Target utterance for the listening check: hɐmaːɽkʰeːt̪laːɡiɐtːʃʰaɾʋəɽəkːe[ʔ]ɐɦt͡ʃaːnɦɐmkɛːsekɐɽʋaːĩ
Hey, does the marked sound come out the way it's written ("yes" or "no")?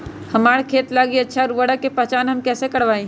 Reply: no